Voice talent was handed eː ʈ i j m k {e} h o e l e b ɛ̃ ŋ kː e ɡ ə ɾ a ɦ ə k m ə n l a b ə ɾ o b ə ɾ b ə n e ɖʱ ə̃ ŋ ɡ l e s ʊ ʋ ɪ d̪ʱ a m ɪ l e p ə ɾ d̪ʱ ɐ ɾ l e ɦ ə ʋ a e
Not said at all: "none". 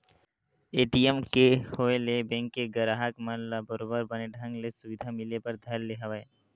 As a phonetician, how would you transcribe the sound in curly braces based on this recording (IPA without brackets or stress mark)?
e